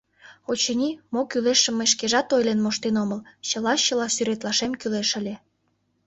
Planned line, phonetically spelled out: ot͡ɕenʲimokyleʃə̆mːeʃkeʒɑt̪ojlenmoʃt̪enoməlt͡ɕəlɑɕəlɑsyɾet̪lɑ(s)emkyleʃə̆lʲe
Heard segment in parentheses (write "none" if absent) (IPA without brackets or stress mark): ʃ